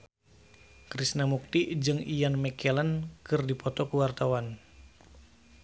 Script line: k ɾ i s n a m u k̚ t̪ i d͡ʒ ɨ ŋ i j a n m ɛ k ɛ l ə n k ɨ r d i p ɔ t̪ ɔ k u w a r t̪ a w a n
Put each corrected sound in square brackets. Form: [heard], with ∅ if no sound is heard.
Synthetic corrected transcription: k ɾ i s n a m u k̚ t̪ i d͡ʒ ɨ ŋ i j a n m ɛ k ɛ l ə n k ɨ r d i p ɔ t̪ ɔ k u w a r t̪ a w a n

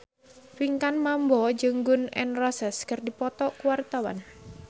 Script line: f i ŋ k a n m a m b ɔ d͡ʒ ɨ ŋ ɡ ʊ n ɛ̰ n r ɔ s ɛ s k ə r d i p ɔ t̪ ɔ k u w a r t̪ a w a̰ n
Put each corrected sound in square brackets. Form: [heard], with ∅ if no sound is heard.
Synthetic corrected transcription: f i ŋ k a n m a m b ɔ d͡ʒ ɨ ŋ ɡ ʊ n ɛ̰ n r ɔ s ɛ s k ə r d i p ɔ t̪ ɔ k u w a r t̪ a w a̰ n

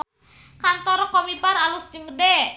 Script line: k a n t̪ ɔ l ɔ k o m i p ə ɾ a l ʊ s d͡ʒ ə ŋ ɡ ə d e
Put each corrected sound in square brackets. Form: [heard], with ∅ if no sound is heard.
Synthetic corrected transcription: k a n t̪ ɔ [ɾ] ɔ k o m i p [a] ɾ a l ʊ s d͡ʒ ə ŋ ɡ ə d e

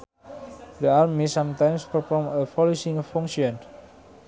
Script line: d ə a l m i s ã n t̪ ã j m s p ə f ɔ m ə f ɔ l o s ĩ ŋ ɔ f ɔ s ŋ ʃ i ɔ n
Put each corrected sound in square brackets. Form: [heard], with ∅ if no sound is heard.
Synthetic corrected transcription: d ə a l m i s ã [m] t̪ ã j m s p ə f ɔ m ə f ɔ l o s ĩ ŋ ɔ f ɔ [∅] ŋ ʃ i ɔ n

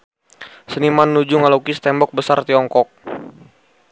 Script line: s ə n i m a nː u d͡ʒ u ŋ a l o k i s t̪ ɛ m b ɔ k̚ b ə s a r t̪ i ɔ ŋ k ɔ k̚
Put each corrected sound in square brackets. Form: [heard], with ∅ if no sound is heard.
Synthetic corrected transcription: s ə n i m a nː u d͡ʒ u ŋ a l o k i s t̪ ɛ m b ɔ k̚ b ə s a r t̪ i ɔ ŋ k ɔ k̚

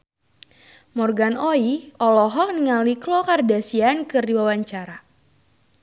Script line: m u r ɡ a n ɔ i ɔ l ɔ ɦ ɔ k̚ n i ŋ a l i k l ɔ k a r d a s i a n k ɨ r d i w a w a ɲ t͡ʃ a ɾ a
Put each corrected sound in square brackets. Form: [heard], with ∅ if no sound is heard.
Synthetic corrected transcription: m [ɔ] r ɡ a n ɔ i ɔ l ɔ ɦ ɔ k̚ n i ŋ a l i k l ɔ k a r d a s i a n k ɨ r d i w a w a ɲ t͡ʃ a ɾ a

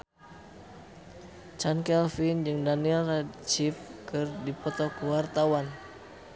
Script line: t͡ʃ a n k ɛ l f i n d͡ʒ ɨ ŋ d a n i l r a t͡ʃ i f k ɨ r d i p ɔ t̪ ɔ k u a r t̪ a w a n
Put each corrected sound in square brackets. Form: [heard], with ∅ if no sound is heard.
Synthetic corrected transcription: t͡ʃ a n k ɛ l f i n d͡ʒ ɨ ŋ d a n i l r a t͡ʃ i f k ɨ r d i p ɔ t̪ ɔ k [w] a r t̪ a w a n

